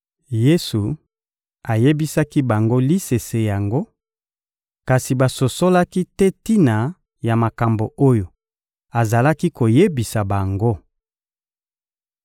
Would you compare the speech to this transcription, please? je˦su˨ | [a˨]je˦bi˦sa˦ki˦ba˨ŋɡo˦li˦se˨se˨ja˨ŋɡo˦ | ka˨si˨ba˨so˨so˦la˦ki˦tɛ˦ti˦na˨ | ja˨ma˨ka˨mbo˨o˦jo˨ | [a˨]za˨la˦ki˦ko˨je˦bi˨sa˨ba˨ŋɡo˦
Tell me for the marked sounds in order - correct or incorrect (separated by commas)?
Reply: correct, correct